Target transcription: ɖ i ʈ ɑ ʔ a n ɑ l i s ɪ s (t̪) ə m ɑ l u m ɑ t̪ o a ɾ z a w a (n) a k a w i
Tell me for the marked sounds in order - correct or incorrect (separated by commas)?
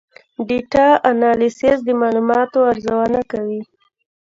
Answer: incorrect, correct